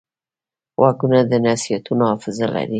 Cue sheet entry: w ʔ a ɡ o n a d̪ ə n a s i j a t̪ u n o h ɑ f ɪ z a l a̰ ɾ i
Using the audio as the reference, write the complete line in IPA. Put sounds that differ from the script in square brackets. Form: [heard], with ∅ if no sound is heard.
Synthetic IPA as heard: w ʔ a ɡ [u] n a d̪ ə n a s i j a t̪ u n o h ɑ f ɪ z a l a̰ ɾ i